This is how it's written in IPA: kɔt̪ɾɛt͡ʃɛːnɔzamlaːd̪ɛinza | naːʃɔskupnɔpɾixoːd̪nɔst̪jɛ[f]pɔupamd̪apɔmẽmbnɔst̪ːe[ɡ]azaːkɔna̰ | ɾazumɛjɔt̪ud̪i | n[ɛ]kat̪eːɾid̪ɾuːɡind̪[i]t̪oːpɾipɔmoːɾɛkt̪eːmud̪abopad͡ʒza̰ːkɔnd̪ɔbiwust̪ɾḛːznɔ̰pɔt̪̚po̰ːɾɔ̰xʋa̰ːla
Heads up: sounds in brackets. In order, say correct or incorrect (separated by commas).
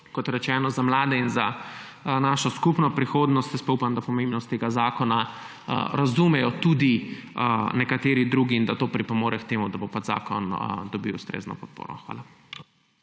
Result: incorrect, correct, correct, incorrect